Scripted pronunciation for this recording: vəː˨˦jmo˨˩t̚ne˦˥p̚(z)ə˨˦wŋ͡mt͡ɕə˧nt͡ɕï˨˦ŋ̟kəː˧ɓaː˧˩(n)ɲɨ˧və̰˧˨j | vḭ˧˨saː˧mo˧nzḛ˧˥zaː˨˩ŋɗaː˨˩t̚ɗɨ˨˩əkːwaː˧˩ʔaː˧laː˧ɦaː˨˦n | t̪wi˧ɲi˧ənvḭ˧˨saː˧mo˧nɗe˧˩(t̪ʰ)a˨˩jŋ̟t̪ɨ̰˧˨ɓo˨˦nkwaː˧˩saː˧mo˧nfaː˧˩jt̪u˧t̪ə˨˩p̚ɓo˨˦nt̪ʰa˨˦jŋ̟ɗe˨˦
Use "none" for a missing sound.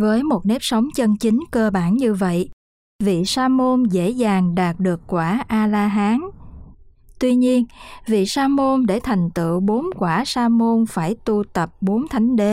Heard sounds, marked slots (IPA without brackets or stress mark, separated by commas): s, n, t̪ʰ